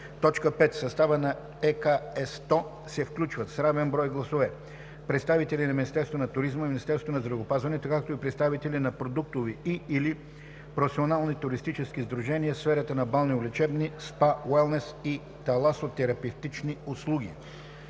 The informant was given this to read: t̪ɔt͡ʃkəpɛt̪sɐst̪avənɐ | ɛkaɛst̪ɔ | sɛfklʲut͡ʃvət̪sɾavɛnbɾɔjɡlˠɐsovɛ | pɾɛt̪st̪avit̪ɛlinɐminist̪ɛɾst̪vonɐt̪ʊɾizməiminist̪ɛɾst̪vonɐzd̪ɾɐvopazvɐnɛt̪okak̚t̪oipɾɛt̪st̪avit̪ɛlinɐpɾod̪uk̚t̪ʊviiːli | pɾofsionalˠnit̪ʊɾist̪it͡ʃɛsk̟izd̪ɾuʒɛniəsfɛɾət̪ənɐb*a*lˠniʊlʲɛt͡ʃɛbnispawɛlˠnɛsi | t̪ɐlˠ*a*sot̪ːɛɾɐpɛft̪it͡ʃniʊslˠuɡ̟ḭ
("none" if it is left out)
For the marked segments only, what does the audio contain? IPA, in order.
a, a

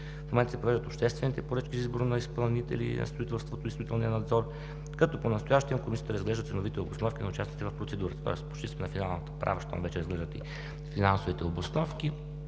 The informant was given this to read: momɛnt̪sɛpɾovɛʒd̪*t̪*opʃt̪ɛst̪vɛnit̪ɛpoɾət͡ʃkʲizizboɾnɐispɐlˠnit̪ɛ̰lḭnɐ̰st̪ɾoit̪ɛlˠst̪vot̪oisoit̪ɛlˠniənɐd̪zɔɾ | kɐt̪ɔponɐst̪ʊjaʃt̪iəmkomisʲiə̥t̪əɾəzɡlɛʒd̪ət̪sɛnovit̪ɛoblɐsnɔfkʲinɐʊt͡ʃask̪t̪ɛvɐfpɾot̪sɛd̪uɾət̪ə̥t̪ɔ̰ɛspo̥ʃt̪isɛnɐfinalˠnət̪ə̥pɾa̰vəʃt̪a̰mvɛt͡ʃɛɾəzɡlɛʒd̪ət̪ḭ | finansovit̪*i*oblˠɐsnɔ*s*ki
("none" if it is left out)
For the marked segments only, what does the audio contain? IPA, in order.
t̪, ɛ, f

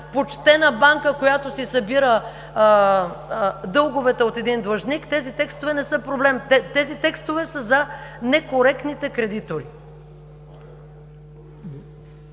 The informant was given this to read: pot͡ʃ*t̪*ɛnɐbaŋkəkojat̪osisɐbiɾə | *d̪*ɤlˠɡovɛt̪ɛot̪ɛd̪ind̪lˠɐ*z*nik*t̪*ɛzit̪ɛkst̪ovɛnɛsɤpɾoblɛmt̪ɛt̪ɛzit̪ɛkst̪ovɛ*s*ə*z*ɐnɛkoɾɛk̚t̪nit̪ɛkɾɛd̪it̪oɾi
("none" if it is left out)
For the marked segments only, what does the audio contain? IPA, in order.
t̪, d̪, ʒ, t̪, s, z

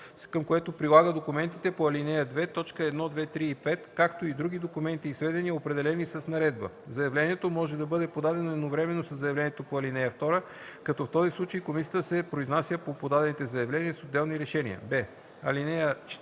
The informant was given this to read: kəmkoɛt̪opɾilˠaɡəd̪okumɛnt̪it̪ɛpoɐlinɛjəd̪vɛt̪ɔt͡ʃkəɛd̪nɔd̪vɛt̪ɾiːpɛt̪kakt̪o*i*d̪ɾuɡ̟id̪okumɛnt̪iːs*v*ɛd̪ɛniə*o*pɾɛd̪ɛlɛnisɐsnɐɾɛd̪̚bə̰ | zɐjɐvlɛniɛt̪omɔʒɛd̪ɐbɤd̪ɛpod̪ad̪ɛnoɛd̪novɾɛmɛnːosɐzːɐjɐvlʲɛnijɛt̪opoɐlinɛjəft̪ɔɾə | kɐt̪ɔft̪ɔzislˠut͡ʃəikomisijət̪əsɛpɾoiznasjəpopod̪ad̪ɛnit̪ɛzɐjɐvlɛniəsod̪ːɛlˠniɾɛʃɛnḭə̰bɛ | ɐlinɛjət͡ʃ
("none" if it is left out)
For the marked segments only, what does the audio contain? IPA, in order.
i, v, o

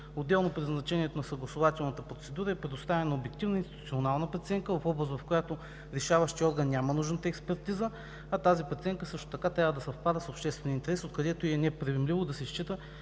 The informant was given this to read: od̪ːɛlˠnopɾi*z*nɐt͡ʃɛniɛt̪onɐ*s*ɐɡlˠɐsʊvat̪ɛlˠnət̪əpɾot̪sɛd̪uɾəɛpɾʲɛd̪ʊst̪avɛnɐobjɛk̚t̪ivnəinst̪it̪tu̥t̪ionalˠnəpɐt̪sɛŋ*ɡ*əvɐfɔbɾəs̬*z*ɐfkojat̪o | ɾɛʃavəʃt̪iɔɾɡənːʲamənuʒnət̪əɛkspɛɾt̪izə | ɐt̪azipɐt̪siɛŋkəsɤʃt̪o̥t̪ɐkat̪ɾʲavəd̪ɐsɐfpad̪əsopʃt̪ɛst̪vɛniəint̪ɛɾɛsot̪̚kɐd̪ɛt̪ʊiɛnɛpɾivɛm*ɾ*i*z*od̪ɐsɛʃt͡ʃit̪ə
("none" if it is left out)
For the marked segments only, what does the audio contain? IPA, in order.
z, s, k, v, l, v

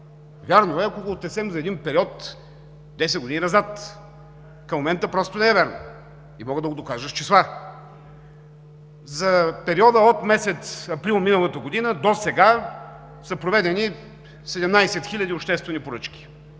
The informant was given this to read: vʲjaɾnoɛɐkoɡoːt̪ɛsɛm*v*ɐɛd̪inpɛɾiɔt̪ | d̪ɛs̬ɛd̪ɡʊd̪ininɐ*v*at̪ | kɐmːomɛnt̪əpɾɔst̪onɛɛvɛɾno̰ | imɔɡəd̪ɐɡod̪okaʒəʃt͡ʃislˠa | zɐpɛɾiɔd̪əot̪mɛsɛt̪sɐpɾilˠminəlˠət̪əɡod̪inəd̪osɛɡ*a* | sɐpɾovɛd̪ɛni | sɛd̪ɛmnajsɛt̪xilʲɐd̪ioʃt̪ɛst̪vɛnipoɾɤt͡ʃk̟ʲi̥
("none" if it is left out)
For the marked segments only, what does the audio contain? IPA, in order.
z, z, a

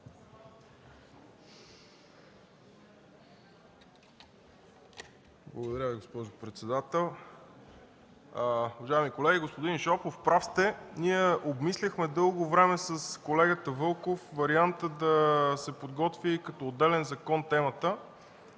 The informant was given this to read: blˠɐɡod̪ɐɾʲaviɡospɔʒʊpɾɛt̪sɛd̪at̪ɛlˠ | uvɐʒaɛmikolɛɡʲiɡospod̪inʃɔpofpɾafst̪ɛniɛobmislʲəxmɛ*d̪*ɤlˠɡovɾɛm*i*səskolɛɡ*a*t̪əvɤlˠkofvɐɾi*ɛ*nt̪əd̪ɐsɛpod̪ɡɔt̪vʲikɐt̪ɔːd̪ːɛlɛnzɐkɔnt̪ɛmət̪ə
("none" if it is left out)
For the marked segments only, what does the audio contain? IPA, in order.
d̪, ɛ, ə, a

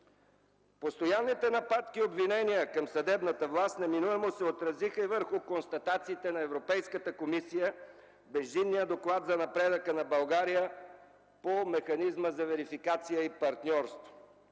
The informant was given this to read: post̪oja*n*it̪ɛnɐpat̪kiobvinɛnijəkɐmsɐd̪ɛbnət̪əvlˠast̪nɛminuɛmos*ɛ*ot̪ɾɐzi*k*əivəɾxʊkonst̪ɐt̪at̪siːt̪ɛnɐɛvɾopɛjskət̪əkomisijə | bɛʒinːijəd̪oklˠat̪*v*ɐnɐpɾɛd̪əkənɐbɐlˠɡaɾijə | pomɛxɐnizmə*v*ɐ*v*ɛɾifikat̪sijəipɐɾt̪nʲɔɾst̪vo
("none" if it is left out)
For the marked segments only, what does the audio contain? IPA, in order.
nː, ɛ, x, z, z, v

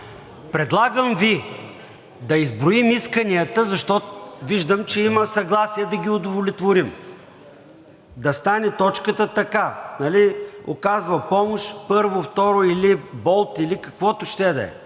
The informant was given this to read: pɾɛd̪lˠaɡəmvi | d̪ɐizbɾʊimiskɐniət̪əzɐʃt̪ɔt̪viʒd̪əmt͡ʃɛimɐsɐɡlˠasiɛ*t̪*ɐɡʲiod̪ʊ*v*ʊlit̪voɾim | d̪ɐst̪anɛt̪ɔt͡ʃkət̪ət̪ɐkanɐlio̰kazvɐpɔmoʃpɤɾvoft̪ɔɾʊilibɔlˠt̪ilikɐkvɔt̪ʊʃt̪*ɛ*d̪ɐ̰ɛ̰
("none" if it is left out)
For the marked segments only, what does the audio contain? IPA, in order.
d̪, v, ɛ

